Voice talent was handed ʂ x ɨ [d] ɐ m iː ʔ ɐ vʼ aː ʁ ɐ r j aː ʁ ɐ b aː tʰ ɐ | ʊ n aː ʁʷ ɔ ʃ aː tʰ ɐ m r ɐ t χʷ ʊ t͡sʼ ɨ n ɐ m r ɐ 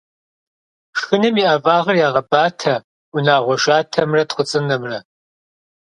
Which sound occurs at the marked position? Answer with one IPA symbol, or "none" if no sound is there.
n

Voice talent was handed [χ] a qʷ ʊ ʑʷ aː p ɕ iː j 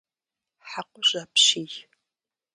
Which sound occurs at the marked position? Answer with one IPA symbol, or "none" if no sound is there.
ħ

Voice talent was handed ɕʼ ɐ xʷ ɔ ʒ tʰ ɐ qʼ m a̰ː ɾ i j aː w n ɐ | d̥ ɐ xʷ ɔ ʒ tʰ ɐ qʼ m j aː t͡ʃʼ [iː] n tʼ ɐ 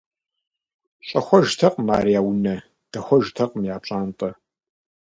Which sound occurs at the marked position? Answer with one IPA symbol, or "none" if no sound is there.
aː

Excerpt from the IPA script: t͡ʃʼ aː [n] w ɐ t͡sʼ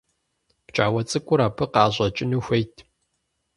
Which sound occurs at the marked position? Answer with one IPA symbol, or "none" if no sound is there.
none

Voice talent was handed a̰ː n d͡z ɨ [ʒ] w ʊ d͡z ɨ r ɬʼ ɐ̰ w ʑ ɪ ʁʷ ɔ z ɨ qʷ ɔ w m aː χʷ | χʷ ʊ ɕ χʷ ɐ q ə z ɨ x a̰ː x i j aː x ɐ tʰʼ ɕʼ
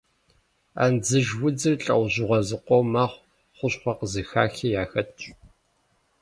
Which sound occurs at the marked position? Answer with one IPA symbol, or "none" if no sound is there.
ʒ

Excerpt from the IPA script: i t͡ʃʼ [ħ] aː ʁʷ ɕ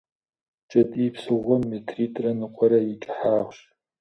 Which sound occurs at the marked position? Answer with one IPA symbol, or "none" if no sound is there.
ħ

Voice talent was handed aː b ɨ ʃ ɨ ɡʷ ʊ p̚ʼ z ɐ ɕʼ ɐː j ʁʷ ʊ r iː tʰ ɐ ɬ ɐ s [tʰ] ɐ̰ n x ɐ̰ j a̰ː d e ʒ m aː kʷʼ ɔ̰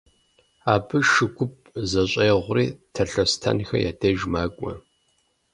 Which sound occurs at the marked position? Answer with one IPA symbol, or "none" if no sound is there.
tʰ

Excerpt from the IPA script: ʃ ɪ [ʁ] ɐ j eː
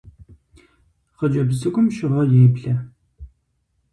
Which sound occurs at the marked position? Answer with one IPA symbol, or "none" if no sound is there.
ʁ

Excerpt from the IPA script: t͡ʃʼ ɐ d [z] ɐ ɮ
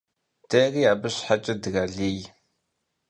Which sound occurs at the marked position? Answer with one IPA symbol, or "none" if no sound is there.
ɣ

